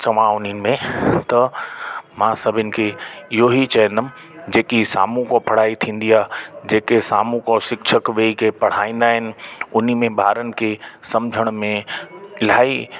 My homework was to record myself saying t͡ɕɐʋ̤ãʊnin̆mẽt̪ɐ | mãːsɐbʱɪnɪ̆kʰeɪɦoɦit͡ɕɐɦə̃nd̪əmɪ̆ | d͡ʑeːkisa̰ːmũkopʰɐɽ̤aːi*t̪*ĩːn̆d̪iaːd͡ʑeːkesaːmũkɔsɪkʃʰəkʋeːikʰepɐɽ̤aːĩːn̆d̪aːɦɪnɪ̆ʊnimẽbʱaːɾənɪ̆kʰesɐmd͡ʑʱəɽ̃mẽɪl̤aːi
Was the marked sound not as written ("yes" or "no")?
yes